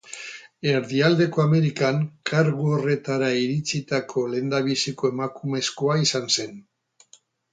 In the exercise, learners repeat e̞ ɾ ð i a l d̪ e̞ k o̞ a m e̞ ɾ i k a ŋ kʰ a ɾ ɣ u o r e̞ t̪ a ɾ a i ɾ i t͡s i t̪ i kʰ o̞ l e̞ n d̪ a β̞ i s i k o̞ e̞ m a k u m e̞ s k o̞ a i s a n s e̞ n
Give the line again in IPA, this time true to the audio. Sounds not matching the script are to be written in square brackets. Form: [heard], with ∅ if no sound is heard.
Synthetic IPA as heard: e̞ ɾ ð i a l d̪ e̞ k o̞ a m e̞ ɾ i k a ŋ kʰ a ɾ ɣ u o r e̞ t̪ a ɾ a i ɾ i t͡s i t̪ [a] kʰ o̞ l e̞ n d̪ a β̞ i s i k o̞ e̞ m a k u m e̞ s k o̞ a i s a n s e̞ n